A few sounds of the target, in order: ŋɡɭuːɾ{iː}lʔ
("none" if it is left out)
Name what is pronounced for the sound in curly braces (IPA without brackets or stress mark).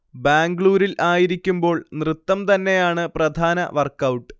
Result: i